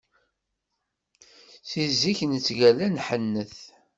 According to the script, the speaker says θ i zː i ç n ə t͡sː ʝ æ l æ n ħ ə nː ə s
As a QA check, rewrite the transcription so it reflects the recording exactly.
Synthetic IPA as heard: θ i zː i ç n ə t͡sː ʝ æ l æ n ħ ə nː ə θ